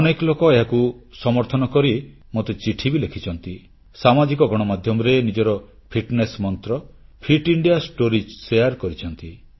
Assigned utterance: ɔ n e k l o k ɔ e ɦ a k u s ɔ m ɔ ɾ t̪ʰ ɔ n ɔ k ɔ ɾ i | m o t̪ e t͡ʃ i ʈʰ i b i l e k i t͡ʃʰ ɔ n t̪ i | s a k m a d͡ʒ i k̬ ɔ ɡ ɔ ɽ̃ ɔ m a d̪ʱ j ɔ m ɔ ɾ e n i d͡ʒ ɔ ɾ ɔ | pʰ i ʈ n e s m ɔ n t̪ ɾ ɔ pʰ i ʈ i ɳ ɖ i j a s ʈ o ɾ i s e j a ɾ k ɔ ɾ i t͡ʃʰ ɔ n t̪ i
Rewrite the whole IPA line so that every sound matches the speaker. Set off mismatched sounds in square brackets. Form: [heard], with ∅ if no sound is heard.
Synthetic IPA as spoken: ɔ n e k l o k ɔ e ɦ a k u s ɔ m ɔ ɾ t̪ʰ ɔ n ɔ k ɔ ɾ i | m o t̪ e t͡ʃ i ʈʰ i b i l e [kʰ] i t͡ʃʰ ɔ n t̪ i | s a [∅] m a d͡ʒ i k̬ ɔ ɡ ɔ ɽ̃ ɔ m a d̪ʱ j ɔ m ɔ ɾ e n i d͡ʒ ɔ ɾ ɔ | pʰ i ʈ n e s m ɔ n t̪ ɾ ɔ pʰ i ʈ i ɳ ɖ i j a s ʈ o ɾ i s e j a ɾ k ɔ ɾ i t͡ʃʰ ɔ n t̪ i